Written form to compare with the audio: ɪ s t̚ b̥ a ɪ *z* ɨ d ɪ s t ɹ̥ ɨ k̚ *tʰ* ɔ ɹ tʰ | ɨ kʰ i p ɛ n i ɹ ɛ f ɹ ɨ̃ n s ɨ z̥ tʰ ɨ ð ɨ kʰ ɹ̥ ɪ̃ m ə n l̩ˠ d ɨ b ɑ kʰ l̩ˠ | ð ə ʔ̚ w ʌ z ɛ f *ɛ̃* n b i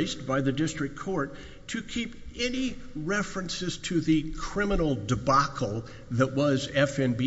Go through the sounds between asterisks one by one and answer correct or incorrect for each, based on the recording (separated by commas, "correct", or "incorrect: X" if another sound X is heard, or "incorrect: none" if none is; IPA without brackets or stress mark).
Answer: incorrect: ð, incorrect: kʰ, correct